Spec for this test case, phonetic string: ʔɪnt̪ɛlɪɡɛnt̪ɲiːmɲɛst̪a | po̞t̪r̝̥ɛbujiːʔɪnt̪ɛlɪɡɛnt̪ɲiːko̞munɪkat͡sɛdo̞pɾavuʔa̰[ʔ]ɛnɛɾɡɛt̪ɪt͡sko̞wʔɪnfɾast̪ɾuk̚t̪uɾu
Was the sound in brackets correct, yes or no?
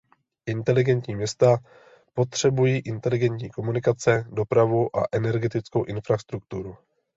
yes